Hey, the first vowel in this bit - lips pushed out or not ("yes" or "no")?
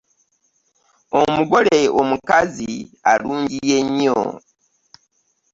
yes